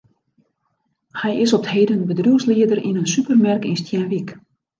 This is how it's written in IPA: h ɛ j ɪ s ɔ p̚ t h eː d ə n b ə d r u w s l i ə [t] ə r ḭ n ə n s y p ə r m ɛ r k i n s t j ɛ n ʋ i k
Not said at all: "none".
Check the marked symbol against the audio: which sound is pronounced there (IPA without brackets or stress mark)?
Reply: d